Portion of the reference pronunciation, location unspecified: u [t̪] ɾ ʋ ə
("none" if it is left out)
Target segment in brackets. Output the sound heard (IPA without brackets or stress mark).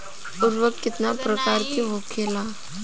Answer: none